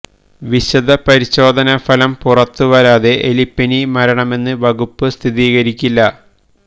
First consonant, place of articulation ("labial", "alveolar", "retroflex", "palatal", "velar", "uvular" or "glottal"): labial